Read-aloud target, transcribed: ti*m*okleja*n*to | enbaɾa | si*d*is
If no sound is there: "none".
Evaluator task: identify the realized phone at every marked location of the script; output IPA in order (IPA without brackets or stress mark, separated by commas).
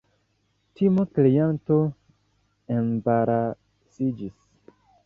m, n, d͡ʒ